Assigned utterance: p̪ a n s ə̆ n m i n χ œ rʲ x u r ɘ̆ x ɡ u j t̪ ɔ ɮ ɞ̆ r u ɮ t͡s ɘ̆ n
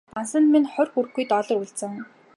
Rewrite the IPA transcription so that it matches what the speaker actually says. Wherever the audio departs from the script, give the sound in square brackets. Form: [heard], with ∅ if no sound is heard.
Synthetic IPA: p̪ a n s ə̆ n m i n χ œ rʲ x u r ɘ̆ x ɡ u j t̪ ɔ ɮ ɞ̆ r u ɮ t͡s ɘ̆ [ŋ]